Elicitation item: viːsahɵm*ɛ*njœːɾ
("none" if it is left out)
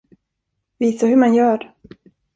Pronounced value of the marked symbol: a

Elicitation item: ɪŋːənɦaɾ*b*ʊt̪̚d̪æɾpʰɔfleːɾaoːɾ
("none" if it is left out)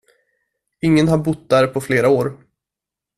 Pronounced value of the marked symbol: b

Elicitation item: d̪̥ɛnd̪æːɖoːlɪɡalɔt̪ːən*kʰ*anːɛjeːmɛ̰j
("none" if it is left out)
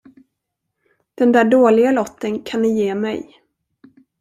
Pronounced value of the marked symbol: kʰ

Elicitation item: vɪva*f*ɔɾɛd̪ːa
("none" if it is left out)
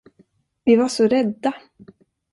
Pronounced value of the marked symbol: ʂ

